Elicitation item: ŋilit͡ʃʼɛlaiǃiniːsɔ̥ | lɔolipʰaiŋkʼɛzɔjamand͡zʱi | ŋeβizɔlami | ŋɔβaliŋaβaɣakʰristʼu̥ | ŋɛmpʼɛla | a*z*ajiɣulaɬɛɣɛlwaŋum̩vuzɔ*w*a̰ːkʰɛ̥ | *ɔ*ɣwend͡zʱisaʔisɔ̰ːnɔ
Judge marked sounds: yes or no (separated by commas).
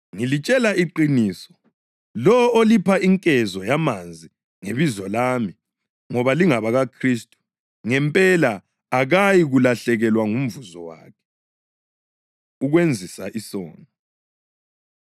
no, yes, no